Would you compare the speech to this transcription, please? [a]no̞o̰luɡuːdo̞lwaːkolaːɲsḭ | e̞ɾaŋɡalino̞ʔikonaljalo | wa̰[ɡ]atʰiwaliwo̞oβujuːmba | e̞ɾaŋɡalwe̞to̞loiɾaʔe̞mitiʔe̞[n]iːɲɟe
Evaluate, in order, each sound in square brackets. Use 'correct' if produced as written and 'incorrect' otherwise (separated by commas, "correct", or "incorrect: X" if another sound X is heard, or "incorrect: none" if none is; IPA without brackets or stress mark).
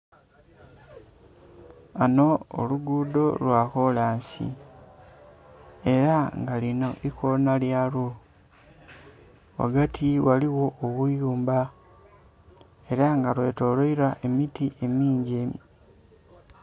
correct, correct, incorrect: m